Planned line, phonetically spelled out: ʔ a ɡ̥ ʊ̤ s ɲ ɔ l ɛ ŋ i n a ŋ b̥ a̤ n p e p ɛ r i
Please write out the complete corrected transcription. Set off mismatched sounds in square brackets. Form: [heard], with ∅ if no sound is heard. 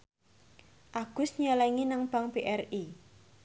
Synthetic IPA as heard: ʔ a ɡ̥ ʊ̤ s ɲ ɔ l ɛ ŋ i n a ŋ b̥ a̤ [ŋ] p e [ʔ] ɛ r i